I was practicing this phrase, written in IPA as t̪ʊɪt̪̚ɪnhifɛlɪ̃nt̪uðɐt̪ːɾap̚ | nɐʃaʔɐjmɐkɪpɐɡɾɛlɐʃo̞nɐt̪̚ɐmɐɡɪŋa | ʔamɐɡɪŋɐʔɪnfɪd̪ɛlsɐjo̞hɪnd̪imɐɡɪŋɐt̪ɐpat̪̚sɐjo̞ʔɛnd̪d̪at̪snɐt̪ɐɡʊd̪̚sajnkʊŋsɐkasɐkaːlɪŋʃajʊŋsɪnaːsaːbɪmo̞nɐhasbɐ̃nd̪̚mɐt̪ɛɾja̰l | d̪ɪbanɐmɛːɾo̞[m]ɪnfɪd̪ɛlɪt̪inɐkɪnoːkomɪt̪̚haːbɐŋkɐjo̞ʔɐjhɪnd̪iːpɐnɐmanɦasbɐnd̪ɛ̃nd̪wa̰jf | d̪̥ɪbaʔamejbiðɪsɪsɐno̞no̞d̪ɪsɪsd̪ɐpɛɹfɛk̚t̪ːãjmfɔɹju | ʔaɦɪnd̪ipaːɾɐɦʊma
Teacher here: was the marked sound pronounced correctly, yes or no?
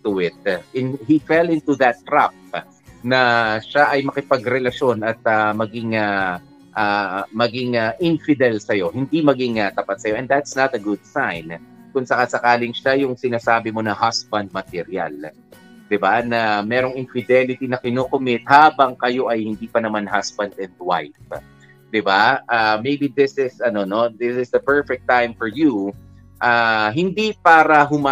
no